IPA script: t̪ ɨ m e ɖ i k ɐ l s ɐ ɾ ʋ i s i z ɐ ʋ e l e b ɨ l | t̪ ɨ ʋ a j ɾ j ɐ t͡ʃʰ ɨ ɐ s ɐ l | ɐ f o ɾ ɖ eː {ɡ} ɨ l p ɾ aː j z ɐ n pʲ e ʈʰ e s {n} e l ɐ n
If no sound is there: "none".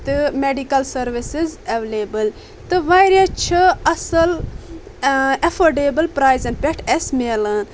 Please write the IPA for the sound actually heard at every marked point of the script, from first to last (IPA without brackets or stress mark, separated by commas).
b, m